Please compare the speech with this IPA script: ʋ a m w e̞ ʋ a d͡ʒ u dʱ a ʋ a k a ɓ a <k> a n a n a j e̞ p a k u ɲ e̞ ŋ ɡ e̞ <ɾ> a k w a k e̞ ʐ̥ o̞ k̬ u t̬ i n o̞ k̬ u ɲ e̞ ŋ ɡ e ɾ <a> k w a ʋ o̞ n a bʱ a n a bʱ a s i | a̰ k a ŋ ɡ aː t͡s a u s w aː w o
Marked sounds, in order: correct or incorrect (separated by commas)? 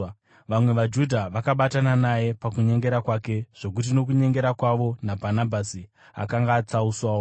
incorrect, correct, correct